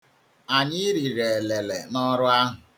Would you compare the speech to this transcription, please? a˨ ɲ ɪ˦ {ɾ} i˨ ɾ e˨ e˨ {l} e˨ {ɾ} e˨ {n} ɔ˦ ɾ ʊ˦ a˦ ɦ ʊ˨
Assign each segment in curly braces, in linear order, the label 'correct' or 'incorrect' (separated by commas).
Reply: correct, correct, incorrect, correct